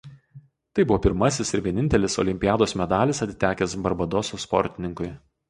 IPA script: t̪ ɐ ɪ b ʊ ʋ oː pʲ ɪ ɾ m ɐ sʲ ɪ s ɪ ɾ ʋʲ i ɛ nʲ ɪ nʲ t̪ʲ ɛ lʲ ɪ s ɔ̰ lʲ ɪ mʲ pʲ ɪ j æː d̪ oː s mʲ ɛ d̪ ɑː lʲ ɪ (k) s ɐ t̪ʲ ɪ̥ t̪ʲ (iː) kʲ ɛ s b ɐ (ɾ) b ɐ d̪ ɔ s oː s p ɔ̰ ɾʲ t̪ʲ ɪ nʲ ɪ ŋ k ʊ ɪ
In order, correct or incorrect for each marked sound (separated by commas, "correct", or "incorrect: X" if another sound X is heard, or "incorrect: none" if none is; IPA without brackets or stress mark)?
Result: incorrect: none, incorrect: æː, correct